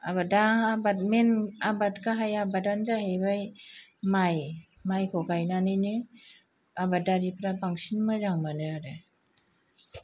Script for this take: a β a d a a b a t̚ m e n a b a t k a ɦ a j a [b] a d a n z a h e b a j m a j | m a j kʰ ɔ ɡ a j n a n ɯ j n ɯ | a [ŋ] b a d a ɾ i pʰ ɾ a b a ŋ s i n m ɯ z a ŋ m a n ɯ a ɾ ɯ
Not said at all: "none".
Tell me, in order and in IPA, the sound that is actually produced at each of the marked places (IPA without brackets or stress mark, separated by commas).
b, none